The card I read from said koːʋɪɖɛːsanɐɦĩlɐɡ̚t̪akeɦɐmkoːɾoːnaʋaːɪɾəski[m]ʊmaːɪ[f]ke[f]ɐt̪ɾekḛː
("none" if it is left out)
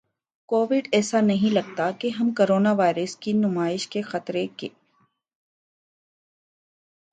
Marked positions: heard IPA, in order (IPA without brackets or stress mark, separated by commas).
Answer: n, ʃ, x